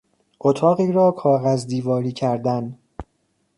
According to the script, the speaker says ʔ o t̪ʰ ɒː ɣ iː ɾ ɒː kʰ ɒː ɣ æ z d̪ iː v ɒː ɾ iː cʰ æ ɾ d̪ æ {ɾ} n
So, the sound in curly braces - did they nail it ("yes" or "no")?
no